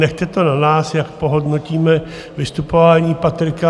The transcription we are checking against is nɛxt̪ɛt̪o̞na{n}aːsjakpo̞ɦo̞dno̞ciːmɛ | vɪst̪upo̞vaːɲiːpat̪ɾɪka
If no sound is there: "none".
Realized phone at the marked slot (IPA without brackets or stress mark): n